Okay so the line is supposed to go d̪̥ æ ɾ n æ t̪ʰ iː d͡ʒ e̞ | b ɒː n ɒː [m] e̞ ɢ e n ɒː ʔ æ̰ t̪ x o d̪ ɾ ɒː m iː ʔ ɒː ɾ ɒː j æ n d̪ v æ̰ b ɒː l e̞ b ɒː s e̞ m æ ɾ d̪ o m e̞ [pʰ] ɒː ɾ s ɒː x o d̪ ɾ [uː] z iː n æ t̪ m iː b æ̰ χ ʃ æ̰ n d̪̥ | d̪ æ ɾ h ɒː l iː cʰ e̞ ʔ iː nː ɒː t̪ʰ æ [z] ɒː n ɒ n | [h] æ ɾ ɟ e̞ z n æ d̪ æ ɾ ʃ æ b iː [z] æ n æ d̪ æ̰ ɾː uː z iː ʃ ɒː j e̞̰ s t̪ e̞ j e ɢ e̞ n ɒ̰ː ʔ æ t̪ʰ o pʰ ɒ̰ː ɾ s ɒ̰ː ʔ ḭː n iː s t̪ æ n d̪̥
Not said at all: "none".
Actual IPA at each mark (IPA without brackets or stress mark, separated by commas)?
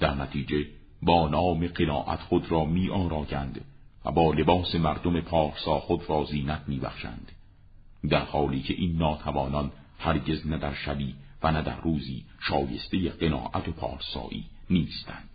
m, pʰ, ɒː, v, h, v